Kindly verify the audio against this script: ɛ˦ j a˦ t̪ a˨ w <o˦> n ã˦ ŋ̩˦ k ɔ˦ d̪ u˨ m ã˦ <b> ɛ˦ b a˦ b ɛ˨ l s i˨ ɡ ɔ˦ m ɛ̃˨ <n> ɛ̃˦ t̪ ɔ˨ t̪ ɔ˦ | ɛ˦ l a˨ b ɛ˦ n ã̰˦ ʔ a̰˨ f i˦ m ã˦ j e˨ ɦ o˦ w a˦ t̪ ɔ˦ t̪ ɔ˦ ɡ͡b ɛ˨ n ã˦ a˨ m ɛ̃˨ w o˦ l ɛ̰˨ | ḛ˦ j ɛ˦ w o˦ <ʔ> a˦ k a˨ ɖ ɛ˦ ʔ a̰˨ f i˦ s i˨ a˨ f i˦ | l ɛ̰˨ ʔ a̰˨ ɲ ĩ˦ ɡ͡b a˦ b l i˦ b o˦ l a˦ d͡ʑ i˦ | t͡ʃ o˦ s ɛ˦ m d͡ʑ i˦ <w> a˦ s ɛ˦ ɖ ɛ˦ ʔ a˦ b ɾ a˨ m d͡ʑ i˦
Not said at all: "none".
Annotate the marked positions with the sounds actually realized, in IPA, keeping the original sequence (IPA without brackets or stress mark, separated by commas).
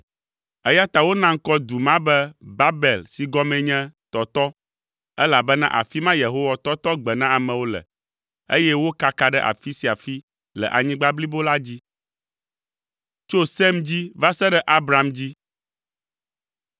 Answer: o˦, b, ɲ, k, v